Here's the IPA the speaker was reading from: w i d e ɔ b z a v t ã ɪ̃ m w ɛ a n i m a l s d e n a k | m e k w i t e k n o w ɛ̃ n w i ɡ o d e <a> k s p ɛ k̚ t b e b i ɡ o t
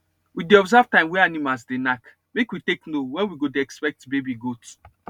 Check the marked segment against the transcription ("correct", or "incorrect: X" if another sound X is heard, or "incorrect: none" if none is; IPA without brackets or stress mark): incorrect: ɛ